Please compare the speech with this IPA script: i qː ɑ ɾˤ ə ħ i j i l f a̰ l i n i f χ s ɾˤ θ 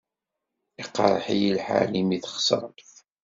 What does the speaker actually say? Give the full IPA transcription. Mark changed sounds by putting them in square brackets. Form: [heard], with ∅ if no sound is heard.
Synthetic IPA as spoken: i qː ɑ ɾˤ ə ħ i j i l [ħ] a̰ l i [m] i [θ] χ s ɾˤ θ